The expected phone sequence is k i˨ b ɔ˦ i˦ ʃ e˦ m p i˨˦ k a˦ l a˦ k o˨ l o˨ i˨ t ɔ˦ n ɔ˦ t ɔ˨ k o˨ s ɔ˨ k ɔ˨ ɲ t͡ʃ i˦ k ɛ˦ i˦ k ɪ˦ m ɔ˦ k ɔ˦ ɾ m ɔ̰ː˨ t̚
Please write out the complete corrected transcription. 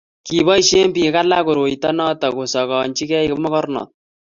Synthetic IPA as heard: k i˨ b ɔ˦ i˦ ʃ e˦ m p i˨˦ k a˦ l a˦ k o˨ ɾ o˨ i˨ t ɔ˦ n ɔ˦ t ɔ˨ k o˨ s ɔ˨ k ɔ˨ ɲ t͡ʃ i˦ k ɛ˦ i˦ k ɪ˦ m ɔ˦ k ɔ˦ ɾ n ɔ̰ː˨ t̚